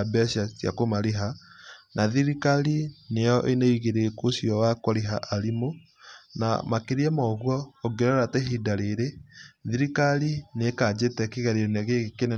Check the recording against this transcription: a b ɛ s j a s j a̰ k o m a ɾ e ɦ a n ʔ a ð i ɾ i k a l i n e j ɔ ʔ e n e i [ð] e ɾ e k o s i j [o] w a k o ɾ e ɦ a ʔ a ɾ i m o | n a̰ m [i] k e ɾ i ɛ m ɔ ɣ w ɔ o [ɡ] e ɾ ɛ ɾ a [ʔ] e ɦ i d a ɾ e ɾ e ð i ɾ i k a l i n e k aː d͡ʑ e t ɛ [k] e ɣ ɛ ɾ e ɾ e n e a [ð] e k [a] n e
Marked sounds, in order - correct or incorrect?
incorrect, incorrect, incorrect, correct, incorrect, correct, incorrect, incorrect

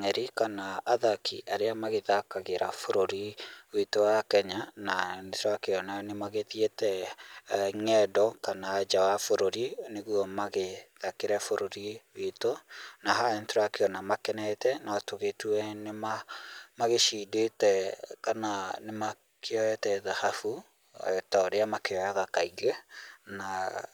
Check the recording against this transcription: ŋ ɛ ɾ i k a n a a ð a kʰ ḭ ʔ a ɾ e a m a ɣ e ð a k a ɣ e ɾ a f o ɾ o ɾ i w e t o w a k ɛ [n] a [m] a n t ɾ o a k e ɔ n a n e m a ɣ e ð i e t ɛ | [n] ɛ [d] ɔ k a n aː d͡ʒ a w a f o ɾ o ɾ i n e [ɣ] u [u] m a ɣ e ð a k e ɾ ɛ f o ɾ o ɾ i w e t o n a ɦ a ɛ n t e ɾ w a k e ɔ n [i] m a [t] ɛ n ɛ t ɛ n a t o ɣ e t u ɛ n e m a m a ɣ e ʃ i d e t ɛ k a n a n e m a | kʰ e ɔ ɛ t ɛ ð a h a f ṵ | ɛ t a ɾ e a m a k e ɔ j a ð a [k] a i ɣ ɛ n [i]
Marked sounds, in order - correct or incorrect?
incorrect, incorrect, incorrect, correct, correct, incorrect, incorrect, incorrect, correct, incorrect

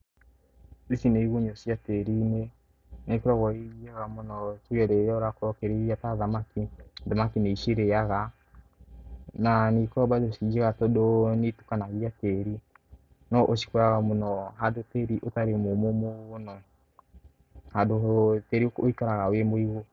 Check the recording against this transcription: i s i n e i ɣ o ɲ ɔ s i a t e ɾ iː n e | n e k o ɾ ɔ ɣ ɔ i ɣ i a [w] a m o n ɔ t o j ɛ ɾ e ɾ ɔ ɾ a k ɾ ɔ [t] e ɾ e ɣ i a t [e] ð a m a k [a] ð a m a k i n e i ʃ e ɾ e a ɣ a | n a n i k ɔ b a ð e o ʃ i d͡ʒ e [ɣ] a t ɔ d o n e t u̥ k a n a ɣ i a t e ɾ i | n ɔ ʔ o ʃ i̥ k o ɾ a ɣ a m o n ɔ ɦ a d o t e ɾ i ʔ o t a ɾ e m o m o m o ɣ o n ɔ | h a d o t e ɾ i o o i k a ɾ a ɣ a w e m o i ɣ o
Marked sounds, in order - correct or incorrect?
incorrect, incorrect, incorrect, incorrect, correct

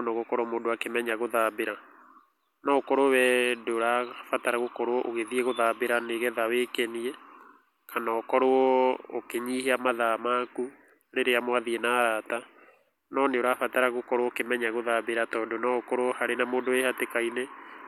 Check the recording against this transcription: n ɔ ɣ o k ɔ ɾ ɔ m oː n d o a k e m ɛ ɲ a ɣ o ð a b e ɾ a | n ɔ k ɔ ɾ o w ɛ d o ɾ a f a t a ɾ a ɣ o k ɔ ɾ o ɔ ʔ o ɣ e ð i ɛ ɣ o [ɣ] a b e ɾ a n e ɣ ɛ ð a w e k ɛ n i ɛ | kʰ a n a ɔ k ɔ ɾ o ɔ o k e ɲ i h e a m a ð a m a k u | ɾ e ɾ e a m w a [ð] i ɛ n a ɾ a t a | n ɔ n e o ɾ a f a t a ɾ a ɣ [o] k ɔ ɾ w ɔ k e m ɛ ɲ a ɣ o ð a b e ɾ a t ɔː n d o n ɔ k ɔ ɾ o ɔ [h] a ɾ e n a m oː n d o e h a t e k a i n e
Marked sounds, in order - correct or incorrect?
incorrect, correct, correct, correct

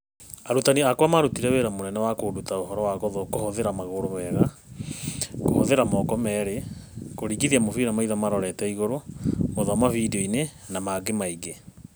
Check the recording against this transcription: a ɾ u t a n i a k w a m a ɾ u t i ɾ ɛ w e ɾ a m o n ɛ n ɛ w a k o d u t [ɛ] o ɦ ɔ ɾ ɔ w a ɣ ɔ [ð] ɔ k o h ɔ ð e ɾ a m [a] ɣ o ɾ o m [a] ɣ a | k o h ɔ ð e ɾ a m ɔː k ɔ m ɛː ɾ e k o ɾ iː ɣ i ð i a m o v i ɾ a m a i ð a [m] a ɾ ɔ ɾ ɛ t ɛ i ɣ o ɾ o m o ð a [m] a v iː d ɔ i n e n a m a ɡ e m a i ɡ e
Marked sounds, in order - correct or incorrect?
incorrect, correct, correct, incorrect, correct, correct

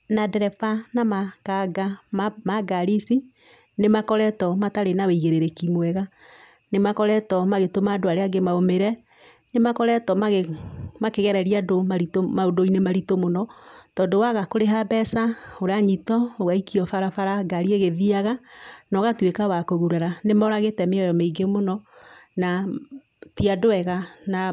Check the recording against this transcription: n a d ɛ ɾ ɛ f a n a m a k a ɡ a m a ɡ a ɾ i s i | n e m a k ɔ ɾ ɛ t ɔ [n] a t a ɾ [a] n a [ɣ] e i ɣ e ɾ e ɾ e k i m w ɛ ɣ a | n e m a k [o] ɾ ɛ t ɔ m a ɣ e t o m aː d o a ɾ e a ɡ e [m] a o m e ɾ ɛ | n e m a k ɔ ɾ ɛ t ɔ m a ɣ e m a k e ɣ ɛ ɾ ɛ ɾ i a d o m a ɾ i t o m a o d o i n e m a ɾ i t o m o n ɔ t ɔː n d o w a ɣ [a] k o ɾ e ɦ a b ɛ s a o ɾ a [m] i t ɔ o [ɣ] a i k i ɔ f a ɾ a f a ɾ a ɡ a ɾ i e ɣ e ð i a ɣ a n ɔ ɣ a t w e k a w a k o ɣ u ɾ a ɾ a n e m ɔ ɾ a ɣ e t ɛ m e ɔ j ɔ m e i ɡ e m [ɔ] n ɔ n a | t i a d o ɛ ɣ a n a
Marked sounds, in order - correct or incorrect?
incorrect, incorrect, incorrect, incorrect, correct, correct, incorrect, correct, incorrect

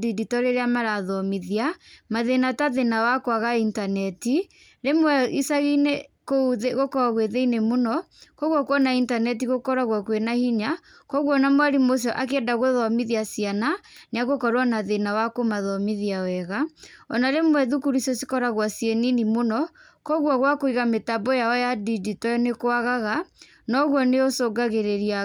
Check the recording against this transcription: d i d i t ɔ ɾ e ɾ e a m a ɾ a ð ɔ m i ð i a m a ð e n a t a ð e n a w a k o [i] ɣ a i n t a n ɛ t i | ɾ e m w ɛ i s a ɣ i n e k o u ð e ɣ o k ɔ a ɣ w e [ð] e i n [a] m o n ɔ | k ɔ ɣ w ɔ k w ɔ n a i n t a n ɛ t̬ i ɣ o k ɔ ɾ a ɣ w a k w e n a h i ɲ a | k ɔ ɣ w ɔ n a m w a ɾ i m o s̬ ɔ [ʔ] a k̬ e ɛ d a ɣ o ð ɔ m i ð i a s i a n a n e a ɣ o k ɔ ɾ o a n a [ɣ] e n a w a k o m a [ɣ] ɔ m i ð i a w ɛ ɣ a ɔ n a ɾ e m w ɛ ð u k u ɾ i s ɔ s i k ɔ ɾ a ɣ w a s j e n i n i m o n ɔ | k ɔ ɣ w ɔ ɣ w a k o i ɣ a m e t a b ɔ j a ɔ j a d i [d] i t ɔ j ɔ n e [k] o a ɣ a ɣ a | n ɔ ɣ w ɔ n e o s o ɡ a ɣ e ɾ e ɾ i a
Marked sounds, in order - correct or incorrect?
incorrect, correct, incorrect, correct, incorrect, incorrect, correct, correct

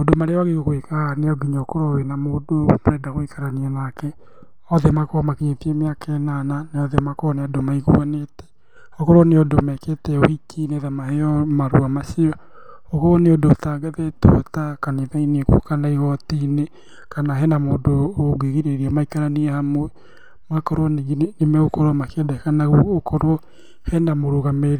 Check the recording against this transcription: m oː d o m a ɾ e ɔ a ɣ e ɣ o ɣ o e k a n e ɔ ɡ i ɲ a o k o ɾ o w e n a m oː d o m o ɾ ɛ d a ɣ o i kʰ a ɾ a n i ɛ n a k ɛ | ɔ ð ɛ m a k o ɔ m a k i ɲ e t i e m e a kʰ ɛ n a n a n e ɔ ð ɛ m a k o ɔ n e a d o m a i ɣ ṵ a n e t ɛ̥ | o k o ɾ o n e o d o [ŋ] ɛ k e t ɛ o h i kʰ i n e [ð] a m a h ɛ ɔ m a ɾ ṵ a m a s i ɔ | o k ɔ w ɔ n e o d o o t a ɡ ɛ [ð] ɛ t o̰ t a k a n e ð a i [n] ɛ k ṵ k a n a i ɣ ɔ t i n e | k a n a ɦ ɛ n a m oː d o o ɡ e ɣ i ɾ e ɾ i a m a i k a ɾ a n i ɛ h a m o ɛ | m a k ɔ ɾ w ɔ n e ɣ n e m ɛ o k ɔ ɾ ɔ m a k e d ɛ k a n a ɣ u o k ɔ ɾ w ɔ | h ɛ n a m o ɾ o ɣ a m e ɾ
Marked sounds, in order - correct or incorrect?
incorrect, correct, correct, correct

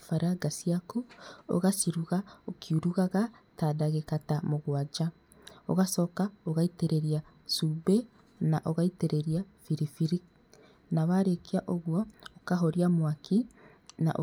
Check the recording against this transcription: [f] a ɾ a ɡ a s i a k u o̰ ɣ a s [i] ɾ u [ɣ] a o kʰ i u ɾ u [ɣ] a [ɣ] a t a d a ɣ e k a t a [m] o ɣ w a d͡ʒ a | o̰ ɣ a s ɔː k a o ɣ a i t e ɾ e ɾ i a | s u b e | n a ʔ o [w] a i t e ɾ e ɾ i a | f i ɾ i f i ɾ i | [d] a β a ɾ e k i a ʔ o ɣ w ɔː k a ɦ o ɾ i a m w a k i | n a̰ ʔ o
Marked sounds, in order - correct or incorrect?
correct, correct, correct, correct, correct, correct, incorrect, incorrect

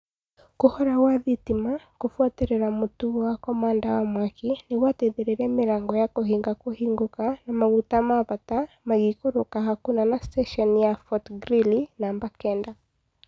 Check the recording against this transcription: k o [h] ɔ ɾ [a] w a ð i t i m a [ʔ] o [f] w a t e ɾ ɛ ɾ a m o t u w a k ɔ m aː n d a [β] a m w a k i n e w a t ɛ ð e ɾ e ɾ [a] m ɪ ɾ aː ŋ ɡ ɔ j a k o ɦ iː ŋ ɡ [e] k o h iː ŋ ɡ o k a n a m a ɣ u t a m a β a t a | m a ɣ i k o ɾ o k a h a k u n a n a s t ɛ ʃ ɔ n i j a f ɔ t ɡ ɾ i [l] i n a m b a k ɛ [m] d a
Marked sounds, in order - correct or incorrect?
correct, correct, incorrect, correct, incorrect, incorrect, incorrect, correct, incorrect

